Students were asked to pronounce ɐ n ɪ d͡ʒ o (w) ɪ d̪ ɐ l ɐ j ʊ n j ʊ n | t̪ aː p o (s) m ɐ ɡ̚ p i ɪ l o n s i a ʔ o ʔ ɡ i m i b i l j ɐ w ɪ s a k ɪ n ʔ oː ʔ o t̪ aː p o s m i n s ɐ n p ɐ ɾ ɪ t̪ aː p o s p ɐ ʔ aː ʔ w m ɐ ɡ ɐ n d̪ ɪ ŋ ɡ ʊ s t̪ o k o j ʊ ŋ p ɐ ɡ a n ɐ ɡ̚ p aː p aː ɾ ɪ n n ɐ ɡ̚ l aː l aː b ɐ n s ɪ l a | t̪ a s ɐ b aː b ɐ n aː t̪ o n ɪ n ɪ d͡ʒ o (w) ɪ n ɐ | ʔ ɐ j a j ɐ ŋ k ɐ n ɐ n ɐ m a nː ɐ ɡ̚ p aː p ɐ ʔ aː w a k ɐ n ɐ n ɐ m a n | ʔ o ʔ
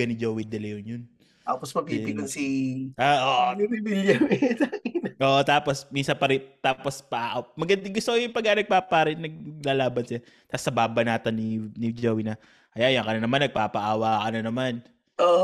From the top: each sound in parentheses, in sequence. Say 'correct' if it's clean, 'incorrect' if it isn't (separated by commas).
correct, correct, correct